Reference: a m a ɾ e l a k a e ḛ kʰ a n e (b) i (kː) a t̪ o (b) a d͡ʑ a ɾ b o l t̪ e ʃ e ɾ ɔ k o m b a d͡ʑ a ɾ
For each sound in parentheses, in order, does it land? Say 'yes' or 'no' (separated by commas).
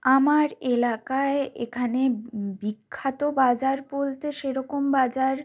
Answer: yes, no, yes